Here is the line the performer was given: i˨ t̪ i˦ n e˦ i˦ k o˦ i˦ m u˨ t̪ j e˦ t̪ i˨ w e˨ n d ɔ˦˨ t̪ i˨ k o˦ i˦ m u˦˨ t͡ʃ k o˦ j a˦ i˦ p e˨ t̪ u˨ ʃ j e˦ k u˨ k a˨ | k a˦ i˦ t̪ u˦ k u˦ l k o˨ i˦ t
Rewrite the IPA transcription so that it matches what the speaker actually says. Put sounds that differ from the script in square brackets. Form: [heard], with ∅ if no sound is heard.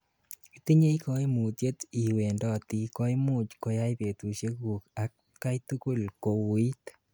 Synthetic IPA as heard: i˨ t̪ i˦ [ɲ] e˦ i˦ k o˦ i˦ m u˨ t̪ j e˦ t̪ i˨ w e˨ n d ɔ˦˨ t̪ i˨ k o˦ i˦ m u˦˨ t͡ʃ k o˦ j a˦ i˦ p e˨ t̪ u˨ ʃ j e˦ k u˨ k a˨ | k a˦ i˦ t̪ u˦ k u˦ l k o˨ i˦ t